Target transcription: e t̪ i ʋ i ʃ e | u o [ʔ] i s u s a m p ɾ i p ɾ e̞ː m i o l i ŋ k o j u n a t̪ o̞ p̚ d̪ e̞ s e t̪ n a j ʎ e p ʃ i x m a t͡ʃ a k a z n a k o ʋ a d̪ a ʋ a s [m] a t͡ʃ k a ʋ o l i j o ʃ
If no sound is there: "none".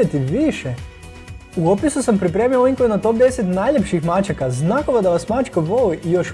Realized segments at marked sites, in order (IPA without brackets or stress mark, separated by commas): p, m